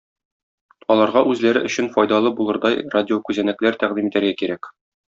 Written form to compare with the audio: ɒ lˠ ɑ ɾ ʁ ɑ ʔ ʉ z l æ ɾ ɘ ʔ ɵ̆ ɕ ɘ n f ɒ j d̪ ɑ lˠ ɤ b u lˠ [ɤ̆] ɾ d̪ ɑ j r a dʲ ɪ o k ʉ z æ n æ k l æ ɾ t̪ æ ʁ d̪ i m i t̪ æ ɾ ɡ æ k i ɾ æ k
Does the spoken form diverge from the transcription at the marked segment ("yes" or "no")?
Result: no